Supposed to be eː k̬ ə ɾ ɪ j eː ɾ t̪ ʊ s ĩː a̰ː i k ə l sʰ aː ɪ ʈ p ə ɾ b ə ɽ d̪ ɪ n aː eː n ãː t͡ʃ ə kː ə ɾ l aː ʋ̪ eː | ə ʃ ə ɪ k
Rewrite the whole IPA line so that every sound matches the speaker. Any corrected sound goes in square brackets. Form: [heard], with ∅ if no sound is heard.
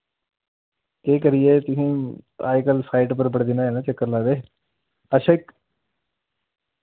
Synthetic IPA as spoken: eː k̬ ə ɾ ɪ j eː [∅] t̪ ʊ s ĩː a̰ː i k ə l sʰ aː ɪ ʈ p ə ɾ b ə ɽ d̪ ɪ n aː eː n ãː t͡ʃ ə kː ə ɾ l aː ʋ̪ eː | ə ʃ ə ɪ k

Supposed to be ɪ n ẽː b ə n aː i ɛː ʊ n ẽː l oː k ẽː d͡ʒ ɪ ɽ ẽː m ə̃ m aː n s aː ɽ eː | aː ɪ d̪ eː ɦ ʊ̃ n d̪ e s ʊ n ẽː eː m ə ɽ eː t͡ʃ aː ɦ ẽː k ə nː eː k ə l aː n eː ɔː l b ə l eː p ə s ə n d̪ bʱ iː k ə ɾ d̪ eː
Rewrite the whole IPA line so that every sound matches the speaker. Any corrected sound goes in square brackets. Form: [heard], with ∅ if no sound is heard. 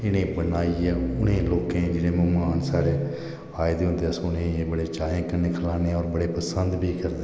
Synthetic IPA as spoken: ɪ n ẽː b ə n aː i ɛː ʊ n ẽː l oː k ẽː d͡ʒ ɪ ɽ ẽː m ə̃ m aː n s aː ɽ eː | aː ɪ d̪ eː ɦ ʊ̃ n d̪ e s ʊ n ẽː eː [b] ə ɽ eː t͡ʃ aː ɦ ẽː k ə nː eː [kʰ] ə l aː n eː ɔː [ɾ] b ə [ɽ] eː p ə s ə n d̪ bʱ iː k ə ɾ d̪ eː

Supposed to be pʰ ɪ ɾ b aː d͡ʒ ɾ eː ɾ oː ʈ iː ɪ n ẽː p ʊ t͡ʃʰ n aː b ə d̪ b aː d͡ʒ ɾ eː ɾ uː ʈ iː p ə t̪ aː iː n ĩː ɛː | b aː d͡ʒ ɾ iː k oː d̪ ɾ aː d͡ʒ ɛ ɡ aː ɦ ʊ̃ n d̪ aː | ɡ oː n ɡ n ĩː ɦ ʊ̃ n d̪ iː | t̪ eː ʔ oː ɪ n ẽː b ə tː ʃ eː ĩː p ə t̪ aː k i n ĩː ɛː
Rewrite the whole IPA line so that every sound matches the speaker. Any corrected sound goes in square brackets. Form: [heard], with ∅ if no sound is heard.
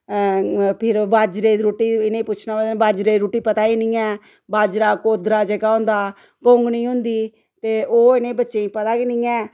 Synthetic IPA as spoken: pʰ ɪ ɾ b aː d͡ʒ ɾ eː ɾ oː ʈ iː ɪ n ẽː p ʊ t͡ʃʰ n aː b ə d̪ b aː d͡ʒ ɾ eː ɾ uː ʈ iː p ə t̪ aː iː n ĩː ɛː | b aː d͡ʒ ɾ [aː] k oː d̪ ɾ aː d͡ʒ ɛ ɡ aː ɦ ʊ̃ n d̪ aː | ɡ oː [ŋ] ɡ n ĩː ɦ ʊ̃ n d̪ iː | t̪ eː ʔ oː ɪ n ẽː b ə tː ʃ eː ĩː p ə t̪ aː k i n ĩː ɛː

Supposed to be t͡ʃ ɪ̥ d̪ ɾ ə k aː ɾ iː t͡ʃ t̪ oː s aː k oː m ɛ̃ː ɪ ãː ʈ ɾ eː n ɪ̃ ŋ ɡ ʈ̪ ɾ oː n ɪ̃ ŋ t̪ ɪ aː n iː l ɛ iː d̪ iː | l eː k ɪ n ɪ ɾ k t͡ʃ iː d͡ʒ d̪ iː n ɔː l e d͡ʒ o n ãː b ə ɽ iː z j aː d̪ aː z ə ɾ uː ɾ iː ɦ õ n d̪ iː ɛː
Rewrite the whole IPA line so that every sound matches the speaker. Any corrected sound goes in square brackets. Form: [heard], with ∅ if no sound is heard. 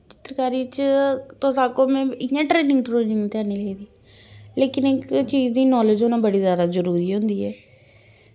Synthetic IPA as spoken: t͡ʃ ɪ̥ [t̪] ɾ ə k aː ɾ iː t͡ʃ t̪ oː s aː k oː m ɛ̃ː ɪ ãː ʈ ɾ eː n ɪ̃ ŋ ɡ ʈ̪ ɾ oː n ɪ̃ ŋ t̪ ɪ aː n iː l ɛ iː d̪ iː | l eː k ɪ n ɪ [∅] k t͡ʃ iː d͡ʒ d̪ iː n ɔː l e d͡ʒ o n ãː b ə ɽ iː z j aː d̪ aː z ə ɾ uː ɾ iː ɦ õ n d̪ iː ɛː

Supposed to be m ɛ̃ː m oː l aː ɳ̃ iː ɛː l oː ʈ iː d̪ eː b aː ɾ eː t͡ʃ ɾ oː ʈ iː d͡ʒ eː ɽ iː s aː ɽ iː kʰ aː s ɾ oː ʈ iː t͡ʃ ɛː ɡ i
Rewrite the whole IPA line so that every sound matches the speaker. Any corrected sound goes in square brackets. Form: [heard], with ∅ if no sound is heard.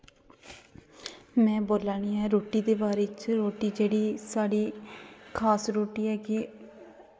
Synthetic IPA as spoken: m ɛ̃ː [b] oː l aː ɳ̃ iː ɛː [ɾ] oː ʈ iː d̪ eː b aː ɾ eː t͡ʃ ɾ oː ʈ iː d͡ʒ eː ɽ iː s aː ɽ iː kʰ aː s ɾ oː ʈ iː [∅] ɛː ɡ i

